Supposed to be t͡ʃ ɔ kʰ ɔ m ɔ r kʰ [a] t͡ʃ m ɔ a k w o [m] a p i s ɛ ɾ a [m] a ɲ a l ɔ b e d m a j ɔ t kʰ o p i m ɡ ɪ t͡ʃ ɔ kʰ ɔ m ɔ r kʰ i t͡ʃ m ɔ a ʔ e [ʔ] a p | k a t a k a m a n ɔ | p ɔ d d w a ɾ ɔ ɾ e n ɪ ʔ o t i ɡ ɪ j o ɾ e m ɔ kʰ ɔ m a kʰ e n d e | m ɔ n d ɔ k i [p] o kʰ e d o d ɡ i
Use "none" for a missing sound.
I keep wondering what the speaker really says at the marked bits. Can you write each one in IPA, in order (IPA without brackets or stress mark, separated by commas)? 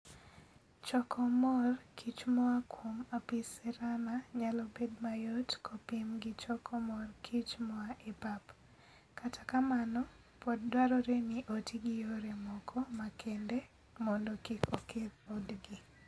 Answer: i, m, n, p, k